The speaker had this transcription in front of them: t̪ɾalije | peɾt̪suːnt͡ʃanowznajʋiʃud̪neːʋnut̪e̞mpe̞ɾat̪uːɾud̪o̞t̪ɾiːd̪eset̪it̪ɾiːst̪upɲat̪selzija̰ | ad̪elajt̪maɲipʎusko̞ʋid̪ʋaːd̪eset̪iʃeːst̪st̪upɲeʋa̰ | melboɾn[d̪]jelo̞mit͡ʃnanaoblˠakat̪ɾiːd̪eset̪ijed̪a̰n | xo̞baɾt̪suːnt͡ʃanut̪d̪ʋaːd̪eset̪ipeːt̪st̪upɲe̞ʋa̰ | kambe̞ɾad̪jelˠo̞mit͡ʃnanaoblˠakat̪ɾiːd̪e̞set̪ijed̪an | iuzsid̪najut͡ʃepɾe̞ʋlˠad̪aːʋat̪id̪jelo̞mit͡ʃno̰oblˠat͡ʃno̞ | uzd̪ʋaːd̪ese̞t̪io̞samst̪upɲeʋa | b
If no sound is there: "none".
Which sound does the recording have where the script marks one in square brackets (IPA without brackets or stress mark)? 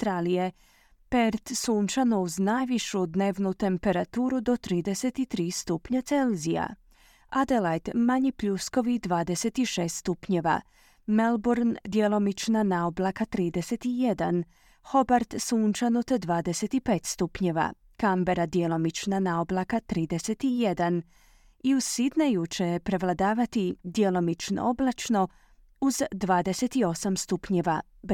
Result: d̪